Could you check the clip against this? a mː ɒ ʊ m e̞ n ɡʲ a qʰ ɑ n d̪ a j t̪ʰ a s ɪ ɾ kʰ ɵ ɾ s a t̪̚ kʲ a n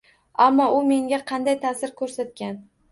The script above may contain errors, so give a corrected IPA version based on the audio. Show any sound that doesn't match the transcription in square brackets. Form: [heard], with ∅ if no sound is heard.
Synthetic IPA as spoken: a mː ɒ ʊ m e̞ [ŋ] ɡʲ a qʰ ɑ n d̪ a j t̪ʰ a s ɪ ɾ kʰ ɵ ɾ s a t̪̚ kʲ a n